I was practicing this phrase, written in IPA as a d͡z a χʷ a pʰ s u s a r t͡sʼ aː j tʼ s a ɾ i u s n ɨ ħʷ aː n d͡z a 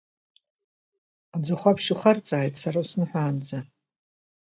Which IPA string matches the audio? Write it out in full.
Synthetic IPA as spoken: a d͡z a χʷ a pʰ ʃ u χ a r t͡sʼ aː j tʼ s a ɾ a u s n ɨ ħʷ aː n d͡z a